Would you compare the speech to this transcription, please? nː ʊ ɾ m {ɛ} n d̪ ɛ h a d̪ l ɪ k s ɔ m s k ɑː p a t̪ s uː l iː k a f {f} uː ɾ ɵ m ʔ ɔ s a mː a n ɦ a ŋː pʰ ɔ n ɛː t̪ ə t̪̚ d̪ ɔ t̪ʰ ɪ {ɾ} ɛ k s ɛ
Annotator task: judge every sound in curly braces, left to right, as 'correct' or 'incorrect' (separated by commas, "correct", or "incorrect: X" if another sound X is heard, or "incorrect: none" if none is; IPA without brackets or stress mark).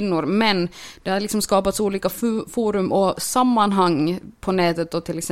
correct, correct, incorrect: l